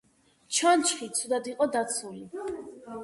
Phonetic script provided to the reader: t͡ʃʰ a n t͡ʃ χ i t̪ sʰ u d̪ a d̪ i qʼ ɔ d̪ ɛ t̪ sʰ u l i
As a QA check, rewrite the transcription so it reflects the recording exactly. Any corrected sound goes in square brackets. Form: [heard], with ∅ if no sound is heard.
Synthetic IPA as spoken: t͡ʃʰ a n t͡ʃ χ i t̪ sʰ u d̪ a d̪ i qʼ ɔ d̪ [a] t̪ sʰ u l i